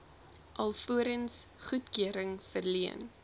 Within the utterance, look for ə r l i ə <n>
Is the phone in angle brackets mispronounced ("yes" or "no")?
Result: no